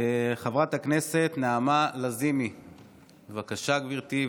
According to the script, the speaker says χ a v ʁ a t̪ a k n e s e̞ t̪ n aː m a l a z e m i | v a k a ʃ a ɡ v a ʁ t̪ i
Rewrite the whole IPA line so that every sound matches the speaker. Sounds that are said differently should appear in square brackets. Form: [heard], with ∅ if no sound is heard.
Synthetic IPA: χ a v ʁ a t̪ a k n e s e̞ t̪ n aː m a l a z [i] m i | v a k a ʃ a ɡ v [i] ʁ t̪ i